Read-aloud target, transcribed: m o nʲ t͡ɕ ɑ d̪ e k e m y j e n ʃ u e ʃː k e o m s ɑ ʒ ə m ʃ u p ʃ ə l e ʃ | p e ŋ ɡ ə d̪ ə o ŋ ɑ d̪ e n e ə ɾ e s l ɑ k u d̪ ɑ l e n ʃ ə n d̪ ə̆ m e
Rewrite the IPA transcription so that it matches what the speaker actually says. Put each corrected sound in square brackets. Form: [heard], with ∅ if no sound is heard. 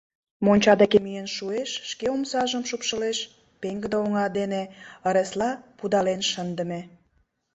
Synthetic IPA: m o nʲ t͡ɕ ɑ d̪ e k e m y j e n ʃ u e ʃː k e o m s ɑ ʒ ə m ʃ u p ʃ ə l e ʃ | p e ŋ ɡ ə d̪ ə o ŋ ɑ d̪ e n e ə ɾ e s l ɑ [p] u d̪ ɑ l e n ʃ ə n d̪ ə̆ m e